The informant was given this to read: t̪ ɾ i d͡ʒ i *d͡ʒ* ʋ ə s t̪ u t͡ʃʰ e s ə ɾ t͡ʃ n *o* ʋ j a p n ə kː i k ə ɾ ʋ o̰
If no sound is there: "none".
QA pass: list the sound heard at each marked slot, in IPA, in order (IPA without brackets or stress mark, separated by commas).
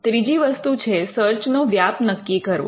none, o